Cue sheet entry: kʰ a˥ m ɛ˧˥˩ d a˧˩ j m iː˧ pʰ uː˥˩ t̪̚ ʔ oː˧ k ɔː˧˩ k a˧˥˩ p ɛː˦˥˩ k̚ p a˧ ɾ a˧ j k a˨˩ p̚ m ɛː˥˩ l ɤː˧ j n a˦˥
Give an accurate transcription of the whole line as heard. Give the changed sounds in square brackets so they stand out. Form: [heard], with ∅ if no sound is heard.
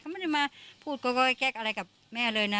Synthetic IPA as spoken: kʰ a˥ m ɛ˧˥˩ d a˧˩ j m [aː˧] pʰ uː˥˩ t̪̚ [k] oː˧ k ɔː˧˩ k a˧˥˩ [k] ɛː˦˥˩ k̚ [ʔ] a˧ ɾ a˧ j k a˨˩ p̚ m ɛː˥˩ l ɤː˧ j n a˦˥